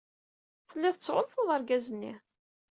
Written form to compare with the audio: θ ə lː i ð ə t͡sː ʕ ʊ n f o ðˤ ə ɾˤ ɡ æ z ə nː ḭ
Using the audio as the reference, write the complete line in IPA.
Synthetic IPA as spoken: θ ə lː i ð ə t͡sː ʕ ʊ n f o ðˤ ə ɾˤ ɡ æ z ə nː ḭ